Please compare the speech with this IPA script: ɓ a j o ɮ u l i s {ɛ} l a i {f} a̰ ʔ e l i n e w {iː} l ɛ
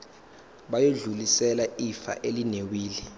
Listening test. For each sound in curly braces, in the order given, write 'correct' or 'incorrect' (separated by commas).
correct, correct, correct